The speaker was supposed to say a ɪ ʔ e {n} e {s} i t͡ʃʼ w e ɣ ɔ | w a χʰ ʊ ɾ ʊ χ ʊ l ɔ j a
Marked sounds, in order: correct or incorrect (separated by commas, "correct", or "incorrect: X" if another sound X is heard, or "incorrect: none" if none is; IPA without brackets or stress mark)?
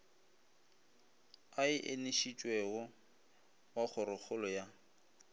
correct, incorrect: ʃ